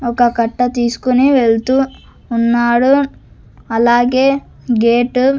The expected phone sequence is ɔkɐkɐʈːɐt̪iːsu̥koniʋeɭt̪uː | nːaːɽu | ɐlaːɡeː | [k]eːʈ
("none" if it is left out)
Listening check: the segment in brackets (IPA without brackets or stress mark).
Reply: ɡ